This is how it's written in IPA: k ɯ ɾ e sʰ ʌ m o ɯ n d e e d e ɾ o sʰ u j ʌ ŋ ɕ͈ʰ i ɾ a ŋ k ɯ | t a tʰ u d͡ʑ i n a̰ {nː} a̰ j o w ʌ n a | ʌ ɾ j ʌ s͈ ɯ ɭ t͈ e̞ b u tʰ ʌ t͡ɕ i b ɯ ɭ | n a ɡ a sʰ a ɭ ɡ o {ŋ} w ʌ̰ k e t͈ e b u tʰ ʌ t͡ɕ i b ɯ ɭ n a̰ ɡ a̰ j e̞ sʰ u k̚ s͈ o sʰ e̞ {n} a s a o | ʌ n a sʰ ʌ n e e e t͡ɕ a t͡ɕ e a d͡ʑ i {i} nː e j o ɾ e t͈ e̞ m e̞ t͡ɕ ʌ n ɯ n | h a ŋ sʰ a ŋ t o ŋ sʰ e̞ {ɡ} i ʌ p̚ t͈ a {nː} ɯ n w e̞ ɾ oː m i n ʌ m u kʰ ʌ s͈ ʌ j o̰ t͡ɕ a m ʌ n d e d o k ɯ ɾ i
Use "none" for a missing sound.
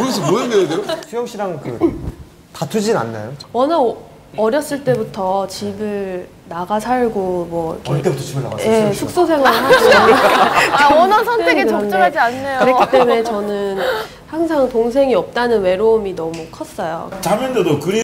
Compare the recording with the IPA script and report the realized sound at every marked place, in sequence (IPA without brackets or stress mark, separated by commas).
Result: nː, m, ŋ, a, ŋ, n